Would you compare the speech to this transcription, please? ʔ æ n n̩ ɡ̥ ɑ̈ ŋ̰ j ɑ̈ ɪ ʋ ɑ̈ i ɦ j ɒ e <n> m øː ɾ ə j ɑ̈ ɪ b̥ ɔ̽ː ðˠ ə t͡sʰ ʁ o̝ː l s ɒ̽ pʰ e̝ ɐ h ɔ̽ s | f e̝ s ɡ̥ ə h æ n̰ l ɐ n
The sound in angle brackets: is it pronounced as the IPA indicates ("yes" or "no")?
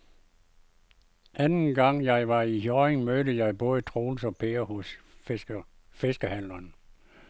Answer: no